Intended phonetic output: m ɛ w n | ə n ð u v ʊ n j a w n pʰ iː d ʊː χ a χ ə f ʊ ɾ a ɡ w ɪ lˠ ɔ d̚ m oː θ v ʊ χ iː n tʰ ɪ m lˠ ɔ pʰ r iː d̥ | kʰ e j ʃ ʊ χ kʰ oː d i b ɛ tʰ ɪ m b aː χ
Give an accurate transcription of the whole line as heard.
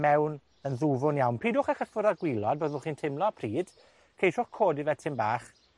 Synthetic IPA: m ɛ w n | ə n ð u v ʊ n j a w n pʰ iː d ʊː χ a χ ə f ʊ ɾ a ɡ w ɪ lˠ ɔ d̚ b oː ð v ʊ χ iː n tʰ ɪ m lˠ ɔ pʰ r iː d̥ | kʰ e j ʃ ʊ χ kʰ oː d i v ɛ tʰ ɪ m b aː χ